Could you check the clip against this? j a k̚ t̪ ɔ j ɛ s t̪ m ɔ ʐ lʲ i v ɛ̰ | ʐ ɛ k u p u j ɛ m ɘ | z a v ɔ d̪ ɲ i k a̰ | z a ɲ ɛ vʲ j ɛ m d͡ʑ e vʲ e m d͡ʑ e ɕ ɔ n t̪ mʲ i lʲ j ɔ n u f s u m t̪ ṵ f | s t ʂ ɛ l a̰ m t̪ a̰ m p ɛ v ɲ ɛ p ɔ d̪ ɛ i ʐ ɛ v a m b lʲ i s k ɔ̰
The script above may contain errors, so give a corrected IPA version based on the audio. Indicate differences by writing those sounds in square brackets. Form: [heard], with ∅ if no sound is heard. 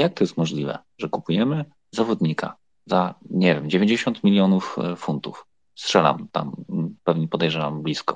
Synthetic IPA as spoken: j a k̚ t̪ ɔ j ɛ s t̪ m ɔ ʐ lʲ i v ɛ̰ | ʐ ɛ k u p u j ɛ m ɘ | z a v ɔ d̪ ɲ i k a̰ | z a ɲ ɛ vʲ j ɛ m d͡ʑ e vʲ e [ɲ] d͡ʑ e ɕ ɔ n t̪ mʲ i lʲ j ɔ n u f [f] u [n] t̪ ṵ f | s t ʂ ɛ l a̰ m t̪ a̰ m p ɛ v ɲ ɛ p ɔ d̪ ɛ [j] ʐ ɛ v a m b lʲ i s k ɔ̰